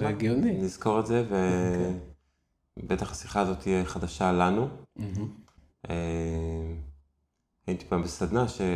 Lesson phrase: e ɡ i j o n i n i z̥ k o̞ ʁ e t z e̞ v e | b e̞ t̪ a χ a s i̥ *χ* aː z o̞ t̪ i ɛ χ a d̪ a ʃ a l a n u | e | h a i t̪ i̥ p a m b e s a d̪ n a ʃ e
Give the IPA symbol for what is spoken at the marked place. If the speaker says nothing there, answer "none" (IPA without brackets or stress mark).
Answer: χ